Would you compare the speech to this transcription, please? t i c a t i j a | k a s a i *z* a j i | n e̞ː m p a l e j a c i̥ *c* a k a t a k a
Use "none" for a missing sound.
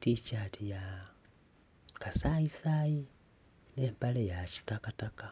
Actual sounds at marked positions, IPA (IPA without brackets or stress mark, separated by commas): s, t